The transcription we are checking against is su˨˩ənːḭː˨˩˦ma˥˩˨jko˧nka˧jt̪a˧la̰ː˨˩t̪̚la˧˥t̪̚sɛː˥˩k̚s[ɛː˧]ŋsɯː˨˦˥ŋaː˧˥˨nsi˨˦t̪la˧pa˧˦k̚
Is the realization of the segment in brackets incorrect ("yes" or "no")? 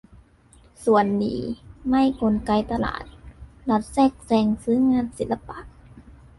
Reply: no